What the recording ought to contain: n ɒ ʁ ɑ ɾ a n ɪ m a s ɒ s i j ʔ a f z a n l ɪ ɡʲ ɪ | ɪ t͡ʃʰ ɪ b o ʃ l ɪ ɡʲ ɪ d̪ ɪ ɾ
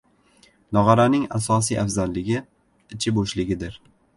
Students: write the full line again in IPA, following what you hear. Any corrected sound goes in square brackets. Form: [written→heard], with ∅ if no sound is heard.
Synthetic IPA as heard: n ɒ ʁ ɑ ɾ a n ɪ [m→ŋ] a s ɒ s i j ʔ a f z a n l ɪ ɡʲ ɪ | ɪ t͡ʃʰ ɪ b o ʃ l ɪ ɡʲ ɪ d̪ ɪ ɾ